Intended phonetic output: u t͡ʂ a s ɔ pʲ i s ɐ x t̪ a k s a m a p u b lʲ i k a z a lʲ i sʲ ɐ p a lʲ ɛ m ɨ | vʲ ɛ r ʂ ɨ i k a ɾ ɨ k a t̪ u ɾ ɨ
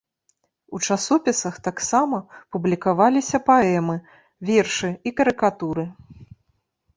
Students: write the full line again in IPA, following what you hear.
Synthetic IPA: u t͡ʂ a s ɔ pʲ i s ɐ x t̪ a k s a m ɐ p u b lʲ i k a v a lʲ i sʲ ɐ p a ɛ m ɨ | vʲ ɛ r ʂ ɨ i k ɐ ɾ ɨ k a t̪ u ɾ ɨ